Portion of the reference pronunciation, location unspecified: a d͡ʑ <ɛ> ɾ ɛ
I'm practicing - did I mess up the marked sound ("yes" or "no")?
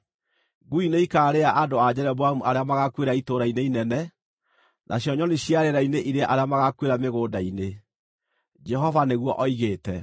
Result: no